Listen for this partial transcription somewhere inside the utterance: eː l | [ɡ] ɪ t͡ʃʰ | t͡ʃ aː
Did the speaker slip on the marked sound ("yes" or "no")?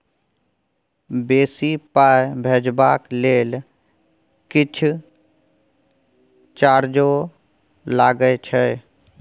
yes